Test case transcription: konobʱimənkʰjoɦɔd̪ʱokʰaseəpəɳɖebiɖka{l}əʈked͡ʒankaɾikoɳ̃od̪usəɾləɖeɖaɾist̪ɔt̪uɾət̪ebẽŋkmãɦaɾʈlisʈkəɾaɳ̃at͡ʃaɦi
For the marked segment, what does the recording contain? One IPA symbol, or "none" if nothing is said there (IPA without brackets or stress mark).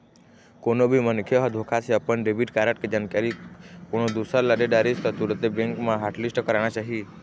ɾ